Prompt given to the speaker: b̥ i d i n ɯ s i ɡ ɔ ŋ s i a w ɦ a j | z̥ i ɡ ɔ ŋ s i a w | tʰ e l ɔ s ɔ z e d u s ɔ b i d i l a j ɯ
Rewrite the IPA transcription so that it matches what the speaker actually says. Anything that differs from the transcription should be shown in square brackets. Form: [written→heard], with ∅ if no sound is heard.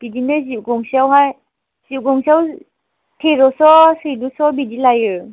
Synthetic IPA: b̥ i d i n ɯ [s→z] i ɡ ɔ ŋ s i a w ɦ a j | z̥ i ɡ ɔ ŋ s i a w | tʰ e [l→ɾ] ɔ s ɔ [z→s] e d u s ɔ b i d i l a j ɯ